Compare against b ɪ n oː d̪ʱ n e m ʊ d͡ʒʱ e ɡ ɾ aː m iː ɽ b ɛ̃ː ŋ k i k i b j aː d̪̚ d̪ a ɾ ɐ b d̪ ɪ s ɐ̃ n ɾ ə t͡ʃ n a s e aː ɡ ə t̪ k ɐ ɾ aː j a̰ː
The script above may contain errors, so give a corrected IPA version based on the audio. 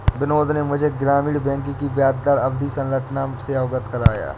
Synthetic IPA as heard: b ɪ n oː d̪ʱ n e m ʊ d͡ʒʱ e ɡ ɾ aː m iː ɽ b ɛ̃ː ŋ k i k i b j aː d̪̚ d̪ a ɾ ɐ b d̪ i s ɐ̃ n ɾ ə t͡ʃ n a s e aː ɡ ə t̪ k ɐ ɾ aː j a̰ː